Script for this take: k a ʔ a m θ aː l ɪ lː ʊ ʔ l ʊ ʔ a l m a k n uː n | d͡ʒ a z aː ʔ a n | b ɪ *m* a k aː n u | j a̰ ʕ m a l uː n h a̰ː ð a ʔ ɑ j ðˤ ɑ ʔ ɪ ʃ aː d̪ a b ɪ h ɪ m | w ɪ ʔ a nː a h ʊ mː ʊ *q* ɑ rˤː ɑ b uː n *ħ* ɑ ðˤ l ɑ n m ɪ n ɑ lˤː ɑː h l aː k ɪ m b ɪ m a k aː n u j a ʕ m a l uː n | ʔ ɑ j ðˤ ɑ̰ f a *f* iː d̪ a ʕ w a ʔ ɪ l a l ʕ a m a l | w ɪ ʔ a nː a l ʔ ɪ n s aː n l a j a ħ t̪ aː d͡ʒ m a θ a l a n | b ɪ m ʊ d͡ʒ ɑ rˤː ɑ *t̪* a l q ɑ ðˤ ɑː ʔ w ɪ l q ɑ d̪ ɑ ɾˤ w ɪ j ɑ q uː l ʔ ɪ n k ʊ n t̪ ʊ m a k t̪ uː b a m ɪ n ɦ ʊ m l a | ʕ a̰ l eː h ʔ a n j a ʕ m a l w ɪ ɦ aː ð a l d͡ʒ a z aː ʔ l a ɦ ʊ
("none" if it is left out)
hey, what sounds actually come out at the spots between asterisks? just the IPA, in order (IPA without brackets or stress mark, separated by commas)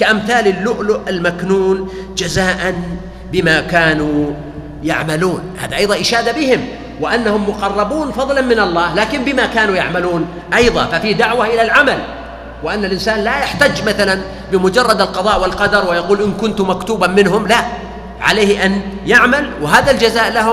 m, q, f, f, d̪